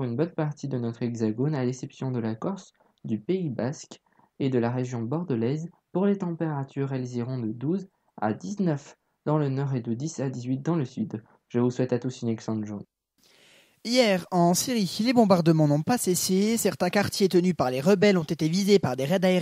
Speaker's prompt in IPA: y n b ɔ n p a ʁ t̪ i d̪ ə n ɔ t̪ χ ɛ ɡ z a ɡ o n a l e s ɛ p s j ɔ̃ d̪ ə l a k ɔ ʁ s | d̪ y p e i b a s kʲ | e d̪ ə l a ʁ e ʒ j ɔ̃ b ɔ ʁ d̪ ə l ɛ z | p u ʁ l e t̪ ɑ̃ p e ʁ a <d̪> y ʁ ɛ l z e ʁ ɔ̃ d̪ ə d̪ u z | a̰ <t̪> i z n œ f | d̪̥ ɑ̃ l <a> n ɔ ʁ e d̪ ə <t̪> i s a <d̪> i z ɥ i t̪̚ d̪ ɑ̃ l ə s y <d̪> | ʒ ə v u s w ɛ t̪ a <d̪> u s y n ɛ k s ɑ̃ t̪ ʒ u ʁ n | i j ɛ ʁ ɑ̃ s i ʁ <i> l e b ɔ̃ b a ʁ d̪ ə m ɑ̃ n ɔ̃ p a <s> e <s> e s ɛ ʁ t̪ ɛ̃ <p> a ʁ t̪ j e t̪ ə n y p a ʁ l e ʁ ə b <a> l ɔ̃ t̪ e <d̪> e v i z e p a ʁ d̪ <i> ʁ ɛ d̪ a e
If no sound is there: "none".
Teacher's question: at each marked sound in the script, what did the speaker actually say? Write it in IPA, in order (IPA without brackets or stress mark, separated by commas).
t̪, d̪, ə, d̪, d̪, d̪, t̪, i, s, s, k, ɛ, t̪, e